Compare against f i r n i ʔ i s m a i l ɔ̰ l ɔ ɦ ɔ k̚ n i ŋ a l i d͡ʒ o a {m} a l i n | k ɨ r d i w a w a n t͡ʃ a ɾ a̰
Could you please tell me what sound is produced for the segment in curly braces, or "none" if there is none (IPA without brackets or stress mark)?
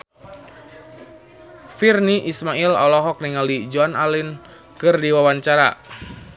n